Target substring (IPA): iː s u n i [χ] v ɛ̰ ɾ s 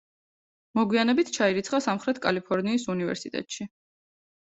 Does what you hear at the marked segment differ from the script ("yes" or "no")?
yes